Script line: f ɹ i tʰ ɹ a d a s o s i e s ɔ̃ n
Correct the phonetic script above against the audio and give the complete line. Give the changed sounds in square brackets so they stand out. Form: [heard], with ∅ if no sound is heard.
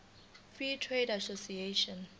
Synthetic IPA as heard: f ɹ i tʰ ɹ [e] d a s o s i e [ʃ] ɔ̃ n